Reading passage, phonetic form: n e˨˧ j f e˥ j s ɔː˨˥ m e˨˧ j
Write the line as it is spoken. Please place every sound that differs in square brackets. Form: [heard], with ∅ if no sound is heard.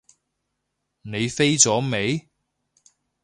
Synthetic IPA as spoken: n e˨˧ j f e˥ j [t͡s] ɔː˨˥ m e˨˧ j